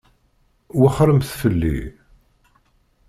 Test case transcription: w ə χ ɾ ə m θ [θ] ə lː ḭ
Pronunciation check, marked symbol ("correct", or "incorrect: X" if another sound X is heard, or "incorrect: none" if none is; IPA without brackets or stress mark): incorrect: f